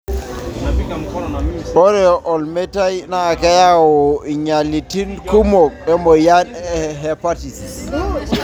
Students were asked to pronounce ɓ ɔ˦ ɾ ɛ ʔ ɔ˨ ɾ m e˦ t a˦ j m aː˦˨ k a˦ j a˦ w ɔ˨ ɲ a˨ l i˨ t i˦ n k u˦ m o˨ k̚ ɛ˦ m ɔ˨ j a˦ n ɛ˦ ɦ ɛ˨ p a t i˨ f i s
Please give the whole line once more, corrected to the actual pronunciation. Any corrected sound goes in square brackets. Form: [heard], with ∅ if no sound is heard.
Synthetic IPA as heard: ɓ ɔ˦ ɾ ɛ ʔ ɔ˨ [l] m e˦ t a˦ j [n] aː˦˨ k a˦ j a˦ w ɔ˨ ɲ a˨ l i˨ t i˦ n k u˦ m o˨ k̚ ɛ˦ m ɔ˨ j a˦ n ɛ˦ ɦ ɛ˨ p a t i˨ [s] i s